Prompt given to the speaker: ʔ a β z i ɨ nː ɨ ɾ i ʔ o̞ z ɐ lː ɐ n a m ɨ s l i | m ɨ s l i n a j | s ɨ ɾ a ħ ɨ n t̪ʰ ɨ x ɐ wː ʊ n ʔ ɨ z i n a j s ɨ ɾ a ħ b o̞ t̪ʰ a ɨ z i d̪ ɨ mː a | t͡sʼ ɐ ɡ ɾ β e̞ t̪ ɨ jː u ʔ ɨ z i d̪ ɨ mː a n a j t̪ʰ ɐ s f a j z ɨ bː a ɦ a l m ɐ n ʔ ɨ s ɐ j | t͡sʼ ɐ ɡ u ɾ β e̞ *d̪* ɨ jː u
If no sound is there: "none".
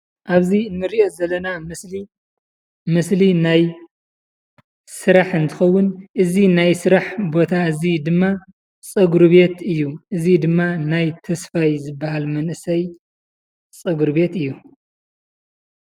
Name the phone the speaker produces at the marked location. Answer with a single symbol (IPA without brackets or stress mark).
t̪